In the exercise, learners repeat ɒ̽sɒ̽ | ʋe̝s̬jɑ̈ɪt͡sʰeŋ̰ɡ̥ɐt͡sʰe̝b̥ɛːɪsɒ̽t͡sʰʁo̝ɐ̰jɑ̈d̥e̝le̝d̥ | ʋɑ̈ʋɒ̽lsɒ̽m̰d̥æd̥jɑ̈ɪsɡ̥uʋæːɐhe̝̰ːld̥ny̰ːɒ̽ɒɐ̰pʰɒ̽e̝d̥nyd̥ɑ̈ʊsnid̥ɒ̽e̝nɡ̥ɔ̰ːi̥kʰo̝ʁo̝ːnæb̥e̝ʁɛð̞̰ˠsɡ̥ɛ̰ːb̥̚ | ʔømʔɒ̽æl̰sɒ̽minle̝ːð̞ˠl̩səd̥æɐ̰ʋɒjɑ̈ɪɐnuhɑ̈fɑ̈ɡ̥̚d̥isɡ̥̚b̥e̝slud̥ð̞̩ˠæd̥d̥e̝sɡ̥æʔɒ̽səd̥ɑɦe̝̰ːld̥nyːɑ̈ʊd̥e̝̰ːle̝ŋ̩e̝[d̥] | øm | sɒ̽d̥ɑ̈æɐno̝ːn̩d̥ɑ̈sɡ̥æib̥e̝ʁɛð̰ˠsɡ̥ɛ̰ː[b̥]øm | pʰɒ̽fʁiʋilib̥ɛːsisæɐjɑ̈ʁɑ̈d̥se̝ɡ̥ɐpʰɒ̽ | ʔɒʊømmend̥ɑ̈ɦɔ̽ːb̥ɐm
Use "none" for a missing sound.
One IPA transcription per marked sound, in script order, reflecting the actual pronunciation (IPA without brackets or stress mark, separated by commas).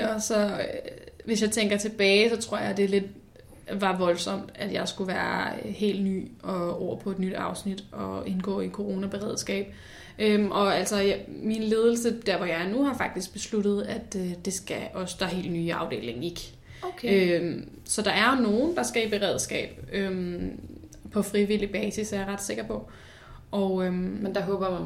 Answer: ɡ̥, b̥